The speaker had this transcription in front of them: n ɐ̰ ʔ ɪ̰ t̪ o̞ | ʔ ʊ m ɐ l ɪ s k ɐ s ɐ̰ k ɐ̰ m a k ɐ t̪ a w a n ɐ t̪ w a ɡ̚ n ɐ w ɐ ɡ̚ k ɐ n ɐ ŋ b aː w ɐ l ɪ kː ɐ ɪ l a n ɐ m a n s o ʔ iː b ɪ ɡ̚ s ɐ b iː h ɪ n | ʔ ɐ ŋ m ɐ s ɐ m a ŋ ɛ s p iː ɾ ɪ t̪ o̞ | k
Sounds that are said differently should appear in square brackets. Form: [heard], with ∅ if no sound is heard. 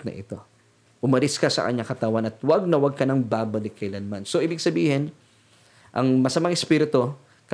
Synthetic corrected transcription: n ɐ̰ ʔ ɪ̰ t̪ o̞ | ʔ ʊ m ɐ l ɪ s k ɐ s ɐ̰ k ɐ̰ [ɲ] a k ɐ t̪ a w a n ɐ t̪ w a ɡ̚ n ɐ w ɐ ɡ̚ k ɐ n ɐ ŋ b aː [b] ɐ l ɪ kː ɐ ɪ l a n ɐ m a n s o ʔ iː b ɪ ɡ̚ s ɐ b iː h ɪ n | ʔ ɐ ŋ m ɐ s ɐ m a ŋ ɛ s p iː ɾ ɪ t̪ o̞ | k